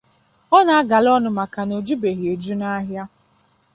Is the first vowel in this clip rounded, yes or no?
yes